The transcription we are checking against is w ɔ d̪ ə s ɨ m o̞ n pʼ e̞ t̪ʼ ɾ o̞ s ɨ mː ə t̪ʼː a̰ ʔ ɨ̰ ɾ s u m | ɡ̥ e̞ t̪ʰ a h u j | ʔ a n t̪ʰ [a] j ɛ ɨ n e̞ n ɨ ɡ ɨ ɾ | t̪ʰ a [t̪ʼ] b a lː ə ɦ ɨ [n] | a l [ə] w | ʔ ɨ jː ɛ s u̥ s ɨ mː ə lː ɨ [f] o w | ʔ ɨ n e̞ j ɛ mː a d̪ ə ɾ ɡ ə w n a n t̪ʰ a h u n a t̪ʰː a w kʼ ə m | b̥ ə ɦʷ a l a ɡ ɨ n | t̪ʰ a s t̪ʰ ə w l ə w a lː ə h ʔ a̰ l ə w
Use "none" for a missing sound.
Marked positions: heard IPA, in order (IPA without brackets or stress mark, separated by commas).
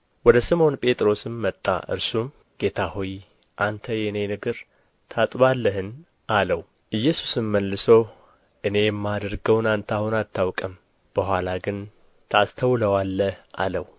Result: ə, t̪ʼ, n, ə, s